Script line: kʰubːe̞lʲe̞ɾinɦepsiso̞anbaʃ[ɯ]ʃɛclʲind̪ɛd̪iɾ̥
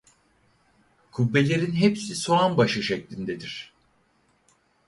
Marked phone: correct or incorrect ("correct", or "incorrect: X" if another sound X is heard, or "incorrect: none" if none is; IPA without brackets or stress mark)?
correct